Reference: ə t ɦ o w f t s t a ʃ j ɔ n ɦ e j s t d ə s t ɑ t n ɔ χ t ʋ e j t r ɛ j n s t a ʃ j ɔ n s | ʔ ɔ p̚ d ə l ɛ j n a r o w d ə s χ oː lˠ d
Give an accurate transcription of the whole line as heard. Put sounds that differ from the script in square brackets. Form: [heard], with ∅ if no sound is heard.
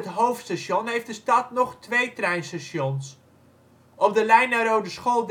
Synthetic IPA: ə t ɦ o w f t s t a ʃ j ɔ n ɦ e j [f] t d ə s t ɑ t n ɔ χ t ʋ e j t r ɛ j n s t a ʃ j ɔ n s | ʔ ɔ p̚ d ə l ɛ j n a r o w d ə s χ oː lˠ d